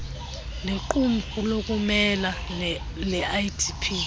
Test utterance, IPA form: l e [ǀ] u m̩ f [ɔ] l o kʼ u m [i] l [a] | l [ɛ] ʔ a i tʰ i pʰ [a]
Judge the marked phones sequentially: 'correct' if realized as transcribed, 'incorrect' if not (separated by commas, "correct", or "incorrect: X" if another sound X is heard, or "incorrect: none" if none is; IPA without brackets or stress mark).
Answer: incorrect: ǃ, incorrect: u, incorrect: ɛ, correct, correct, incorrect: i